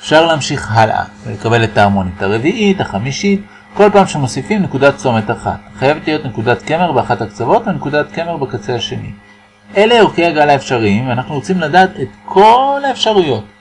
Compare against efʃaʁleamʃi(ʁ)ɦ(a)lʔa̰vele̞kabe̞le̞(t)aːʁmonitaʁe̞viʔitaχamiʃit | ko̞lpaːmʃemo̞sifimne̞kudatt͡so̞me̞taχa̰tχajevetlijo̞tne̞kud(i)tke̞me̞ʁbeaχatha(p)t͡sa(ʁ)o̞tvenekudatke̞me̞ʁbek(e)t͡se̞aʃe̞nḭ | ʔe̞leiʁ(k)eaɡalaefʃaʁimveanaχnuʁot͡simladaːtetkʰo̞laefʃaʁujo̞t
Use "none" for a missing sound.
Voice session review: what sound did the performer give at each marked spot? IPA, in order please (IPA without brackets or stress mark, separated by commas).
χ, a, t, a, k, v, a, k